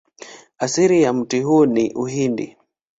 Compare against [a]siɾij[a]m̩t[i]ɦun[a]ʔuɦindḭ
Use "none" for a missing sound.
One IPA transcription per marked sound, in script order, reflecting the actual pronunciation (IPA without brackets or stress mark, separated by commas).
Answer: a, a, i, i